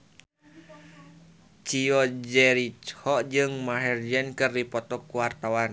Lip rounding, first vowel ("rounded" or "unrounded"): unrounded